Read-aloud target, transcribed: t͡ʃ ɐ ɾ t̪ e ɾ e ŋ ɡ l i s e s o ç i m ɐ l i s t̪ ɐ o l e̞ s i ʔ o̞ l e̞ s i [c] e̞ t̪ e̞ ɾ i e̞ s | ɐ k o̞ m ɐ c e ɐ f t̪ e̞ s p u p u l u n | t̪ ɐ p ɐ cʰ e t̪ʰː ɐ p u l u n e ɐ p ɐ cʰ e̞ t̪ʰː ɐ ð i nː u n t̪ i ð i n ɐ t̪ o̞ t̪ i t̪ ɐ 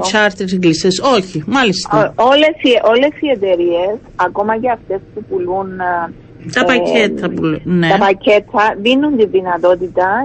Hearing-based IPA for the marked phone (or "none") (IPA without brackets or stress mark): none